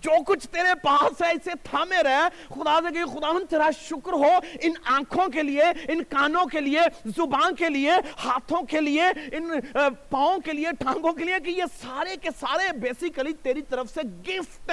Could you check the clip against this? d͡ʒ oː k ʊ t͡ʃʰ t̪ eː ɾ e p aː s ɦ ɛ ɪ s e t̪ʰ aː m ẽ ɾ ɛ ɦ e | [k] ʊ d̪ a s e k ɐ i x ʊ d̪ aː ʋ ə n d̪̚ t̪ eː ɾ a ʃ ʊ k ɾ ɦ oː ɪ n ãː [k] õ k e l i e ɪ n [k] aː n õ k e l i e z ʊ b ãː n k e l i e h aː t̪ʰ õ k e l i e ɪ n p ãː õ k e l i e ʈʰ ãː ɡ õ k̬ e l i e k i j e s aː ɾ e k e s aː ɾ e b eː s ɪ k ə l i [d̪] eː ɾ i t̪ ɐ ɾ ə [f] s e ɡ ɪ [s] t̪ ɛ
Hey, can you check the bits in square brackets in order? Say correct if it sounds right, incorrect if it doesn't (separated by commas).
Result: incorrect, incorrect, correct, incorrect, correct, incorrect